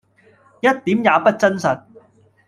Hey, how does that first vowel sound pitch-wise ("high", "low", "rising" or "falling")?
high